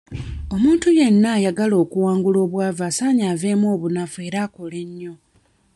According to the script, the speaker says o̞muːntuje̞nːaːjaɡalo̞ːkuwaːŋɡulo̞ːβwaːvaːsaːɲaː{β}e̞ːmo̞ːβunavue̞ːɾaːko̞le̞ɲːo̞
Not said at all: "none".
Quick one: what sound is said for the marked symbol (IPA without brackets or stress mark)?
v